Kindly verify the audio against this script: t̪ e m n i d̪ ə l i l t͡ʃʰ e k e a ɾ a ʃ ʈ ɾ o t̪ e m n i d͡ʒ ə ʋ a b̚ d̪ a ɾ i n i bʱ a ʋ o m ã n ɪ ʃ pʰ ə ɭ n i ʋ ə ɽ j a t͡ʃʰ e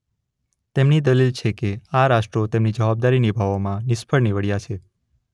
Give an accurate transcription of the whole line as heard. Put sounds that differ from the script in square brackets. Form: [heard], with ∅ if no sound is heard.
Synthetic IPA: t̪ e m n i d̪ ə l i l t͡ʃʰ e k e a ɾ a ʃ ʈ ɾ o t̪ e m n i d͡ʒ ə ʋ a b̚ d̪ a ɾ i n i bʱ a ʋ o m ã n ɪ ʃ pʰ ə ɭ n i ʋ ə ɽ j a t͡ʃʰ e